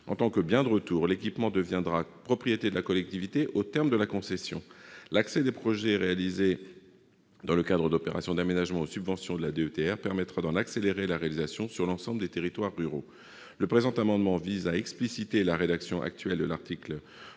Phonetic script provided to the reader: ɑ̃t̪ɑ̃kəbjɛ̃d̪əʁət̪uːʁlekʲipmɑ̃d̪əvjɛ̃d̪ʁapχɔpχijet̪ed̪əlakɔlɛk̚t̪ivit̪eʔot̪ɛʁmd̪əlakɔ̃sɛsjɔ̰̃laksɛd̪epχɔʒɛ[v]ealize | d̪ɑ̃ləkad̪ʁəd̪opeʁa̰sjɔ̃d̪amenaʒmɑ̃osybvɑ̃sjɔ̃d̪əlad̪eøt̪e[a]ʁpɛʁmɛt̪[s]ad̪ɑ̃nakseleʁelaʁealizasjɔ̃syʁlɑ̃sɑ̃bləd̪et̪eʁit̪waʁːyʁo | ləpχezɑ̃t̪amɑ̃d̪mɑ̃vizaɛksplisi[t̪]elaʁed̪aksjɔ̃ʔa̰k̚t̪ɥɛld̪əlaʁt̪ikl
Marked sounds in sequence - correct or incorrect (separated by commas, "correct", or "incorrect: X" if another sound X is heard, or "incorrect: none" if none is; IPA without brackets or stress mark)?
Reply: incorrect: ʁ, incorrect: ɛ, incorrect: χ, correct